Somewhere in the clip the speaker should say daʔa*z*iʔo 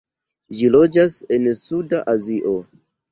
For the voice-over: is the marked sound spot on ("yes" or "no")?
yes